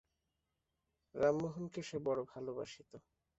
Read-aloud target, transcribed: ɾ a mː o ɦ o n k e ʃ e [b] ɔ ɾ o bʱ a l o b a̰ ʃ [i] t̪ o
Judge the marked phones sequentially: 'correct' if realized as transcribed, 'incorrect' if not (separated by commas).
correct, correct